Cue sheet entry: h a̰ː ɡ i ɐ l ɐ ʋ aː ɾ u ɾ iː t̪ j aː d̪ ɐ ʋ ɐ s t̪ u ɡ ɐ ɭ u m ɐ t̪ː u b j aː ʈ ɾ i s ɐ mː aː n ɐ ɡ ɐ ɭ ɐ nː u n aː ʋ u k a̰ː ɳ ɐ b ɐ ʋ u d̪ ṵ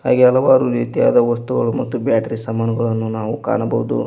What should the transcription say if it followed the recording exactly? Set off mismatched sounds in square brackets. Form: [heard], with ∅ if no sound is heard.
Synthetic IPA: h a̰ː ɡ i ɐ l ɐ ʋ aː ɾ u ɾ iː t̪ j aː d̪ ɐ ʋ ɐ s t̪ u ɡ ɐ ɭ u m ɐ t̪ː u b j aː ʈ ɾ i s ɐ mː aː n ɐ ɡ ɐ ɭ ɐ nː u n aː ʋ u k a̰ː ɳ ɐ b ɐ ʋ u d̪ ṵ